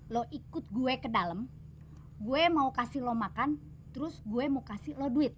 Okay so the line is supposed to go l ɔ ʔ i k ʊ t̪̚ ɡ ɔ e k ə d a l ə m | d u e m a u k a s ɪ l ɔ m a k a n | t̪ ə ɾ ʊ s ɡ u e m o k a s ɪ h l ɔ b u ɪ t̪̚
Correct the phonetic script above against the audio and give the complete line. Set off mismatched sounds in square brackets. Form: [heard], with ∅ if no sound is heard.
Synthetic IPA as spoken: l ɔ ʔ i k ʊ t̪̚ ɡ [u] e k ə d a l ə m | [ɡ] u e m a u k a s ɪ l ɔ m a k a n | t̪ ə ɾ ʊ s ɡ u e m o k a s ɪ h l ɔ [d] u ɪ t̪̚